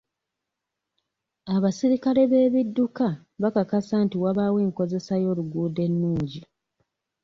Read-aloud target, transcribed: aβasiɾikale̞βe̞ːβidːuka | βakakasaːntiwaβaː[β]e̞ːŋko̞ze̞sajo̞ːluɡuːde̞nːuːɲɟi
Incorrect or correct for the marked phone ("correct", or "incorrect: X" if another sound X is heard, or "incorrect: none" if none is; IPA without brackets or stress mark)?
incorrect: w